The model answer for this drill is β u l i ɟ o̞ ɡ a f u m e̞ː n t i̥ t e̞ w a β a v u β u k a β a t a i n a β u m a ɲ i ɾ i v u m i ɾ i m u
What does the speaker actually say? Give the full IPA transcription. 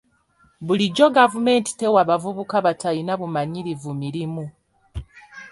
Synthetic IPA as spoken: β u l i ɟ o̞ ɡ a v u m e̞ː n t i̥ t e̞ w a β a v u β u k a β a t a i n a β u m a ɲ i ɾ i v u m i ɾ i m u